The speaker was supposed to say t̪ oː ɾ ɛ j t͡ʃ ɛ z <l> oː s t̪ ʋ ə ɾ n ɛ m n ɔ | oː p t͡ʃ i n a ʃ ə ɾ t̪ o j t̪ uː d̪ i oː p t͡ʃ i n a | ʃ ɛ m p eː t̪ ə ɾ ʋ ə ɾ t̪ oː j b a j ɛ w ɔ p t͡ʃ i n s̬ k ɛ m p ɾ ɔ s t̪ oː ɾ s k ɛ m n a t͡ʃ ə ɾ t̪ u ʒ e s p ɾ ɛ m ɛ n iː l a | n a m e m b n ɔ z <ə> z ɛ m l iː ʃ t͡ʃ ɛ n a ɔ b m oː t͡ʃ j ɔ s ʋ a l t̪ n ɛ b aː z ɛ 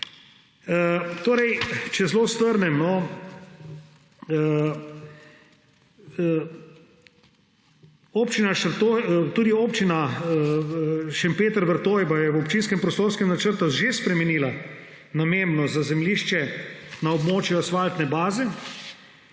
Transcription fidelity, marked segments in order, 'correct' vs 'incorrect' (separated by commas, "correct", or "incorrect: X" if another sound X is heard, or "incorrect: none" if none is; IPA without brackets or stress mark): correct, incorrect: a